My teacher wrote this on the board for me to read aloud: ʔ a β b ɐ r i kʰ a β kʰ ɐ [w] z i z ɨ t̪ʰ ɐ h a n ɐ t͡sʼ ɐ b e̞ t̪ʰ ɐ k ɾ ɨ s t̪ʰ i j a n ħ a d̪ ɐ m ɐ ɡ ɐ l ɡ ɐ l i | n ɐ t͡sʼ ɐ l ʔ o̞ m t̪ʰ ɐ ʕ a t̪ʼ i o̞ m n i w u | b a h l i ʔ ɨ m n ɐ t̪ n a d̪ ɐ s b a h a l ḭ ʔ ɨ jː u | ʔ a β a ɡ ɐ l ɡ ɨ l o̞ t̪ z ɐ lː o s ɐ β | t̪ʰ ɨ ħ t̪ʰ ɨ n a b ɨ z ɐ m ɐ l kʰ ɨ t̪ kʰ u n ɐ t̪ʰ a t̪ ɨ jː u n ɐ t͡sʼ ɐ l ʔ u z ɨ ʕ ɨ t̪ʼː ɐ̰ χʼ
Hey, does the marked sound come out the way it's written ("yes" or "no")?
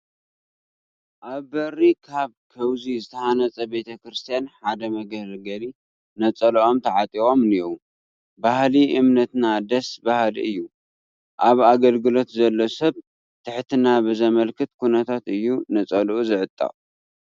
yes